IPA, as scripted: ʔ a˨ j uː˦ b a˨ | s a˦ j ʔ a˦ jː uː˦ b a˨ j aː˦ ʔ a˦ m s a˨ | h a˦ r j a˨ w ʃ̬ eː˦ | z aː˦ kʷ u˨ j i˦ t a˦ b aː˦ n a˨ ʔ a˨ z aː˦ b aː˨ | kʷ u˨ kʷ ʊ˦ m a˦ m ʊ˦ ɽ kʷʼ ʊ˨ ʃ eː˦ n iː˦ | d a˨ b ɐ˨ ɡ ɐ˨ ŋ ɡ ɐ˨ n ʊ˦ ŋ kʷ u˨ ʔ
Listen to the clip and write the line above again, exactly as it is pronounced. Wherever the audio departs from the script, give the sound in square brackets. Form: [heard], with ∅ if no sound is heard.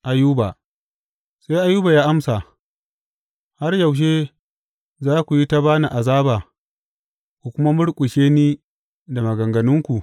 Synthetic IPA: ʔ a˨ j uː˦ b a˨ | s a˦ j ʔ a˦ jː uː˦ b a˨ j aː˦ ʔ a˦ m s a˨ | h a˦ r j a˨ w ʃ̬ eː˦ | z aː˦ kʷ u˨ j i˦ t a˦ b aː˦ n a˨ ʔ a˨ z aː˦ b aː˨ | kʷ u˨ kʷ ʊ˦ m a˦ m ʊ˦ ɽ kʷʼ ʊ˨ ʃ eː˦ n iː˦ | d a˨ [m] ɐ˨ ɡ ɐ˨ ŋ ɡ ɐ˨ n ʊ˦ ŋ kʷ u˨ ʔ